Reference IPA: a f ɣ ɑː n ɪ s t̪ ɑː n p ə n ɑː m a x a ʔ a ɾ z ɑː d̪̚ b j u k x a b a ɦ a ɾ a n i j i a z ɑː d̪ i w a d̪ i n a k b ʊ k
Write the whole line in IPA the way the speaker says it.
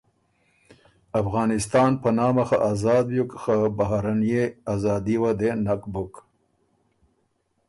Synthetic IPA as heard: a f ɣ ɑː n ɪ s t̪ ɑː n p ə n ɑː m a x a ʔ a z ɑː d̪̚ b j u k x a b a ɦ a ɾ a n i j e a z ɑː d̪ i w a d̪ e n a k b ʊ k